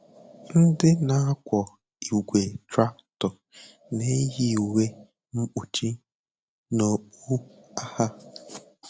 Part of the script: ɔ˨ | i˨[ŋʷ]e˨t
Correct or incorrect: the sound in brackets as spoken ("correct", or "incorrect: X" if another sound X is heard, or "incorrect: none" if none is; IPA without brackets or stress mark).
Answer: incorrect: ɡʷ